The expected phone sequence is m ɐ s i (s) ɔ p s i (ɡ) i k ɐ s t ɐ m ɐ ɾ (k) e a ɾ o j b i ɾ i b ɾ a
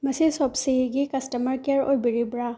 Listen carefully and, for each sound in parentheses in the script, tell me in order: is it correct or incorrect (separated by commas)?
correct, correct, correct